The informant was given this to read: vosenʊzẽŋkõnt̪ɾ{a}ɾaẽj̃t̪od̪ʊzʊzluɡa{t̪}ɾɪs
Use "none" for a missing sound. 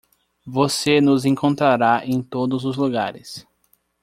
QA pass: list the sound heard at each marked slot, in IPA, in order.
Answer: a, none

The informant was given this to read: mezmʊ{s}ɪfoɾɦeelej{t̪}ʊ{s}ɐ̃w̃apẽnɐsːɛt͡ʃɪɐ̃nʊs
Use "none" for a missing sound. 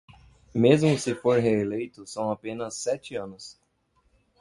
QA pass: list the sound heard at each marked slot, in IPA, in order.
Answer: s, t̪, s

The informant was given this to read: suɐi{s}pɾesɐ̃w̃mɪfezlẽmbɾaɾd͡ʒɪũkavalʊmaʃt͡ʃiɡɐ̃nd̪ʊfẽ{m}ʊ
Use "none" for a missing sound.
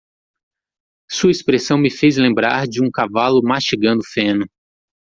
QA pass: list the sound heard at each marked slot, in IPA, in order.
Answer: s, n

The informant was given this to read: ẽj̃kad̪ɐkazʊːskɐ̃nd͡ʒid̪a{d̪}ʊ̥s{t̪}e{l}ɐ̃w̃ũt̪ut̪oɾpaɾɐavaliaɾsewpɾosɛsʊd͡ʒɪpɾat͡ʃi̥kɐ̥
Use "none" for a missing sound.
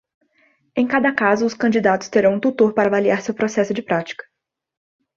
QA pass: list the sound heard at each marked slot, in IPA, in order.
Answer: t̪, t̪, ɾ

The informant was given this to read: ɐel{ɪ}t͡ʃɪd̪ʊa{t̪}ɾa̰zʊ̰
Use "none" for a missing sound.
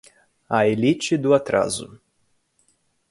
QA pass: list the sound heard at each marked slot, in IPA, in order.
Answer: i, t̪

